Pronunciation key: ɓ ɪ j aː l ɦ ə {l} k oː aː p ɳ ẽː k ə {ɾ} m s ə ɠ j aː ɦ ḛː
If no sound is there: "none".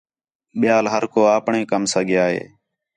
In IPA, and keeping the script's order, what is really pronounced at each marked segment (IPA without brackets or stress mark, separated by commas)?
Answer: ɾ, none